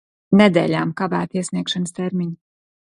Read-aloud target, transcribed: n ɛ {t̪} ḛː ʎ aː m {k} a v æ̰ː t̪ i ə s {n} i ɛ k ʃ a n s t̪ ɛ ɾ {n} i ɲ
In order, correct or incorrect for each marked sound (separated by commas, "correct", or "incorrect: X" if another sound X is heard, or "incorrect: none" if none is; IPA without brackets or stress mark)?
incorrect: d̪, correct, correct, incorrect: m